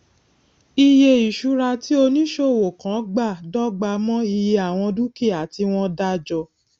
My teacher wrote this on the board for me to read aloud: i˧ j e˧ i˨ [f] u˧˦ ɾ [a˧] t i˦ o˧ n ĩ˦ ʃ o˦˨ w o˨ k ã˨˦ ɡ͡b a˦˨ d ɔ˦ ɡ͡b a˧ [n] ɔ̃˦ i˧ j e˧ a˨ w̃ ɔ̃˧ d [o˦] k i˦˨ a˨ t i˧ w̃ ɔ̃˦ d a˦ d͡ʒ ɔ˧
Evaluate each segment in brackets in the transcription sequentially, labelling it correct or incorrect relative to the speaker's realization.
incorrect: ʃ, correct, incorrect: m, incorrect: u˦

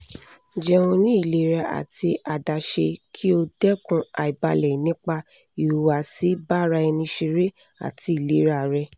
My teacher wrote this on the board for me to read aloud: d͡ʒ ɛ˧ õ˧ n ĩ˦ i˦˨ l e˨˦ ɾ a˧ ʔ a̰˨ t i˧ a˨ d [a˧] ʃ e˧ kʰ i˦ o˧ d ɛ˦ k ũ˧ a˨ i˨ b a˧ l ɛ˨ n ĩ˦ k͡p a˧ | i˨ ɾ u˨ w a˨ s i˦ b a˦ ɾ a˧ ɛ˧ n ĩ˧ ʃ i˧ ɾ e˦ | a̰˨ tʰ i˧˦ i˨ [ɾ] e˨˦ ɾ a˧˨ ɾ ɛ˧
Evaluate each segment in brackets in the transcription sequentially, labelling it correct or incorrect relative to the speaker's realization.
correct, incorrect: l

